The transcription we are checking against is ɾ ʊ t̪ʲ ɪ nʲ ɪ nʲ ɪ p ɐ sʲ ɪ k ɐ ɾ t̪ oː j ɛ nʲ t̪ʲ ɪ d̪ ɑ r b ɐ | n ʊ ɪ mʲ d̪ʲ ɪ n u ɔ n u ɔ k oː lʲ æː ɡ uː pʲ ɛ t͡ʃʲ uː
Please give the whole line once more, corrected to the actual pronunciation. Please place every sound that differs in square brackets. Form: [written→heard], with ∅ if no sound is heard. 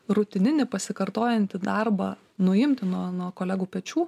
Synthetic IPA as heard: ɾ ʊ t̪ʲ ɪ nʲ ɪ nʲ ɪ p ɐ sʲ ɪ k ɐ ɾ t̪ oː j ɛ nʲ t̪ʲ ɪ d̪ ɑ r b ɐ | n ʊ ɪ mʲ [d̪ʲ→t̪ʲ] ɪ n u ɔ n u ɔ k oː lʲ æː ɡ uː pʲ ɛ t͡ʃʲ uː